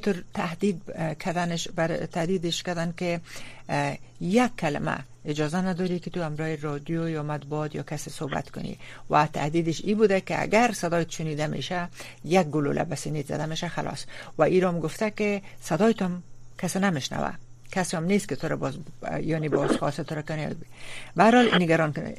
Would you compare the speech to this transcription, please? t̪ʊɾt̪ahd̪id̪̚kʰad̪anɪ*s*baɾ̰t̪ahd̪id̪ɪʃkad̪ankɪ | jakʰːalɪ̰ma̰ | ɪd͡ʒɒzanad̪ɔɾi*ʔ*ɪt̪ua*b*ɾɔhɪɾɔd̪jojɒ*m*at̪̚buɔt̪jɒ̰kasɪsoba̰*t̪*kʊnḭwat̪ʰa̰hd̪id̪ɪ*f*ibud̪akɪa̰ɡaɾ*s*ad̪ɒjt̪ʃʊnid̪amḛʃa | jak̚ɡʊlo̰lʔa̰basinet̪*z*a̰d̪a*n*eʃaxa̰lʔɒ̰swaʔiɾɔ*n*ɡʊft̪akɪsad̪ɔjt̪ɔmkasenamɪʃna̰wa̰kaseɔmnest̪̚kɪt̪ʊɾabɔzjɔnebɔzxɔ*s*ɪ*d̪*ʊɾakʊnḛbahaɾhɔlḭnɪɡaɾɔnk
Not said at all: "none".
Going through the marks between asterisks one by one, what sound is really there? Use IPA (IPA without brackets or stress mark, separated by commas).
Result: ʃ, k, m, m, t̪, ʃ, s, z, m, m, s, t̪